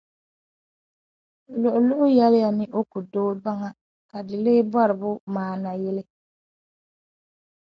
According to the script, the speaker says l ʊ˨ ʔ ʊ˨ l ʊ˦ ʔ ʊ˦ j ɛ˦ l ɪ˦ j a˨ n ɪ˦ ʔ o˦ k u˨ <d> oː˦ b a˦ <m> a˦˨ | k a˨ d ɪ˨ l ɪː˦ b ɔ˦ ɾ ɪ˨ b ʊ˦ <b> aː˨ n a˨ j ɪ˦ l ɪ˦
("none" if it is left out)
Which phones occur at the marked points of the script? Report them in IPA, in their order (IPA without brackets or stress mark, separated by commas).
d, ŋ, m